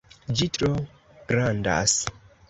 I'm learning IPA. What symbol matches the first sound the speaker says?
d͡ʒ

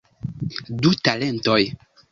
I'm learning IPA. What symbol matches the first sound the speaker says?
d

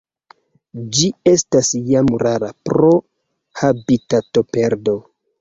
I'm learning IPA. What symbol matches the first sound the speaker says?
d͡ʒ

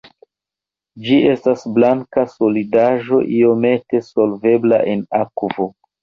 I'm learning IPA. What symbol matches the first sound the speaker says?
d͡ʒ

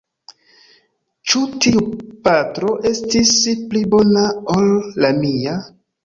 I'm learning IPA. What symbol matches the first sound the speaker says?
t͡ʃ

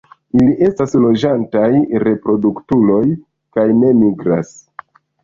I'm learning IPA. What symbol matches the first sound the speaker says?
i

